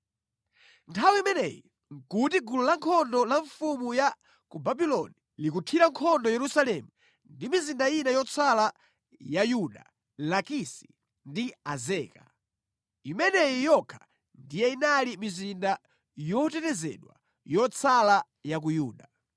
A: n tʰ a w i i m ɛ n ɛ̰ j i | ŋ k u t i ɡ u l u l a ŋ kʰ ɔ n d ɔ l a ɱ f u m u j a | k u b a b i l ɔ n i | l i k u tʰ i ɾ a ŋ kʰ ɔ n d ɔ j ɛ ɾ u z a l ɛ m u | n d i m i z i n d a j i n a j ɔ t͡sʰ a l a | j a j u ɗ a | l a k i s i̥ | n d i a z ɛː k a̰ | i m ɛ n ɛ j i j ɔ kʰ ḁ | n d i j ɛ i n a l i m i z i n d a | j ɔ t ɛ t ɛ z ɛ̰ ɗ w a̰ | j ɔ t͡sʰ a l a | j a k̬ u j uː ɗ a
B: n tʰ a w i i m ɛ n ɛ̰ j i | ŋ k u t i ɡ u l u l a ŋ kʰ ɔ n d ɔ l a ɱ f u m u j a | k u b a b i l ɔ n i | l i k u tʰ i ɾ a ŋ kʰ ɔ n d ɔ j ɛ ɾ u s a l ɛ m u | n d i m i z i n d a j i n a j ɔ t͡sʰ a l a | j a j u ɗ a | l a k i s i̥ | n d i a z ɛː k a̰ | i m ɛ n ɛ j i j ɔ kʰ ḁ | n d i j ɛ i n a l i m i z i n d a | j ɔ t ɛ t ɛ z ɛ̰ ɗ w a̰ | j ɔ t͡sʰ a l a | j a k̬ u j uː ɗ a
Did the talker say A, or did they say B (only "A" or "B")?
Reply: B